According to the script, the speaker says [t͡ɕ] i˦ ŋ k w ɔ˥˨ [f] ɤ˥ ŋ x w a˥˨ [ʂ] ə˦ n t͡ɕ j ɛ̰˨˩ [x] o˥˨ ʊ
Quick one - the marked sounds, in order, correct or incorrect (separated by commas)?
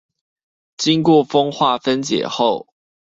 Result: correct, correct, incorrect, correct